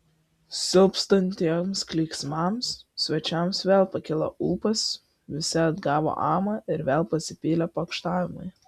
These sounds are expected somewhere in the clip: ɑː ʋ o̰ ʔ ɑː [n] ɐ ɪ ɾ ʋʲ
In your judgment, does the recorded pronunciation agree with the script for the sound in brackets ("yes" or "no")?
no